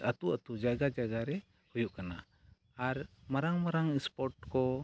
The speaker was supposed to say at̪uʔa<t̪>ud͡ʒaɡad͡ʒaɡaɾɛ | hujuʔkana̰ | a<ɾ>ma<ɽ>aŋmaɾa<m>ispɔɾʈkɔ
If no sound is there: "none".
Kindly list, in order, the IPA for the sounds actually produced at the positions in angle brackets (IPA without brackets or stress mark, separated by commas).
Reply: t̪, ɾ, ɾ, ŋ